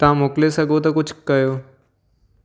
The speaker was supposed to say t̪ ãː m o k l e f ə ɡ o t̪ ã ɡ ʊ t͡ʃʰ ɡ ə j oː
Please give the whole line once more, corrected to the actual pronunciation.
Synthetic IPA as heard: t̪ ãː m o k l e s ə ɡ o t̪ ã k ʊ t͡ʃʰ k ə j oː